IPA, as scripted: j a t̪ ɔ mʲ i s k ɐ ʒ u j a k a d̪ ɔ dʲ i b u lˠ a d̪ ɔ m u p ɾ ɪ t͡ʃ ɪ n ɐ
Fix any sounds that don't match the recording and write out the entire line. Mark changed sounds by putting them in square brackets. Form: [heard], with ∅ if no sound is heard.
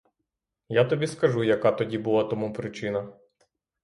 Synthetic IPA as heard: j a t̪ ɔ [bʲ] i s k ɐ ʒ u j [ɐ] k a [t̪] ɔ dʲ i b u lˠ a [t̪] ɔ m u p ɾ ɪ t͡ʃ ɪ n ɐ